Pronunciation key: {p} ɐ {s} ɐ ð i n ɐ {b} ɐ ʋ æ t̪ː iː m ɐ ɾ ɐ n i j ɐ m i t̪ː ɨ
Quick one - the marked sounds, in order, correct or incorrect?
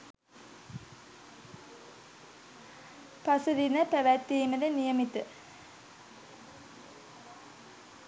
correct, correct, incorrect

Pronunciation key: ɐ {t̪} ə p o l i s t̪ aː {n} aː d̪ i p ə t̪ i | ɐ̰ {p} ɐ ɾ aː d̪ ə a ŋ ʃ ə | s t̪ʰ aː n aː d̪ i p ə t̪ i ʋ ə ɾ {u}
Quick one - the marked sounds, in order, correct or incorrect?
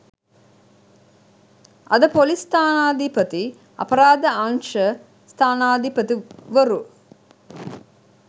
incorrect, correct, correct, correct

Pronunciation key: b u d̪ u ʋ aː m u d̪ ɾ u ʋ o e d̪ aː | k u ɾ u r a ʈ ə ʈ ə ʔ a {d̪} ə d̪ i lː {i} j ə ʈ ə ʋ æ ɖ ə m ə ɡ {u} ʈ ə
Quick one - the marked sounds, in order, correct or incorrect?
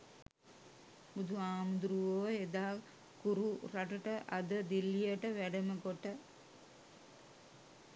correct, correct, incorrect

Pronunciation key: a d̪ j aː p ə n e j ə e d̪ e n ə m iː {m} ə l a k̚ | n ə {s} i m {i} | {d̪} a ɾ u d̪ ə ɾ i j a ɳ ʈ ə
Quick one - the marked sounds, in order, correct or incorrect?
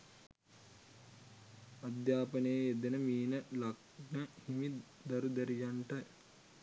incorrect, incorrect, correct, correct

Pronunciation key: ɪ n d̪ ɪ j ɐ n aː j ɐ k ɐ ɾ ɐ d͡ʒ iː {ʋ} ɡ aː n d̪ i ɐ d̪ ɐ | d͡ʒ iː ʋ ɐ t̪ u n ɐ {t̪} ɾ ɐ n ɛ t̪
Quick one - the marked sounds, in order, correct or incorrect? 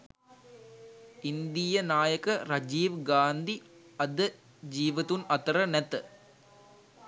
correct, correct

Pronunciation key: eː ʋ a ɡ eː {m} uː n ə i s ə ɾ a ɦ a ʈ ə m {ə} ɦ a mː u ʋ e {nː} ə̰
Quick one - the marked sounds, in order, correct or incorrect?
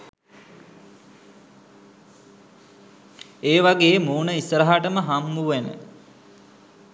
correct, correct, incorrect

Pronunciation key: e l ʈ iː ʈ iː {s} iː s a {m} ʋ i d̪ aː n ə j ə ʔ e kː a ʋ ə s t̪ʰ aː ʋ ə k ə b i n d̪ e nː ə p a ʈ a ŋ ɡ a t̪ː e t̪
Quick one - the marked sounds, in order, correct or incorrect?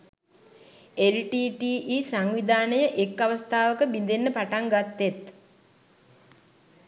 incorrect, incorrect

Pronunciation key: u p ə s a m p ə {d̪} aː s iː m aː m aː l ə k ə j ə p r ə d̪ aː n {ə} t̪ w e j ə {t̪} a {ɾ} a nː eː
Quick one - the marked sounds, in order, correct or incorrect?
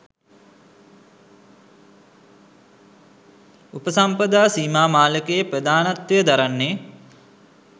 correct, incorrect, incorrect, correct

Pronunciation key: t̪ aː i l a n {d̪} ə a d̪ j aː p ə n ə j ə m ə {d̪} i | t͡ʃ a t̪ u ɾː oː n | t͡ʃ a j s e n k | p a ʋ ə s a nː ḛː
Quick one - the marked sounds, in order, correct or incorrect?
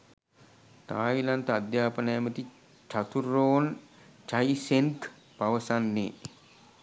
incorrect, incorrect

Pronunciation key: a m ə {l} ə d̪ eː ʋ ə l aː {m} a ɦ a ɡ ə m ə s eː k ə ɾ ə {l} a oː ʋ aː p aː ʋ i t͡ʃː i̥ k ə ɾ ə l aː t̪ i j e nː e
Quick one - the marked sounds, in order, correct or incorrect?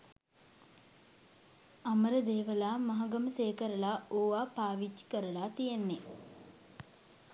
incorrect, correct, correct

